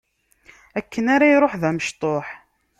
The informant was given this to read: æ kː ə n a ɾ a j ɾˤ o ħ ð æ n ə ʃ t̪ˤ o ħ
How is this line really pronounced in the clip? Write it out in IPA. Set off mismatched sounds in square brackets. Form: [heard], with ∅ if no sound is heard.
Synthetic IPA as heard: æ kː ə n a ɾ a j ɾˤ o ħ ð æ [m] ə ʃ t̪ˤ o ħ